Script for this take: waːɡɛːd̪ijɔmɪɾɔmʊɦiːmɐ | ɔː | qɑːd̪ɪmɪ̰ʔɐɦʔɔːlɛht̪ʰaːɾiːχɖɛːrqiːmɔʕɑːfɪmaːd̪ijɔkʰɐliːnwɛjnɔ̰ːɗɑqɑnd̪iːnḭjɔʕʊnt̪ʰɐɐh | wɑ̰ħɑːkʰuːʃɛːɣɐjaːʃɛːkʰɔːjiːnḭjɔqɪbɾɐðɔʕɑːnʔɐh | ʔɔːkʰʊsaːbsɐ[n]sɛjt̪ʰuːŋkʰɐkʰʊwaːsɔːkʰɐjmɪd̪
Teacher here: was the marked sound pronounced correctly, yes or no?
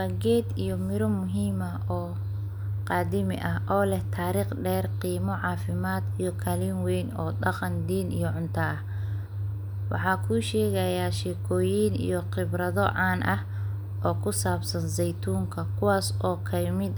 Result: yes